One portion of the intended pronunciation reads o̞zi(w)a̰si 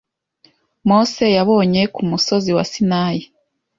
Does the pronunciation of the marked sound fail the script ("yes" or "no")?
no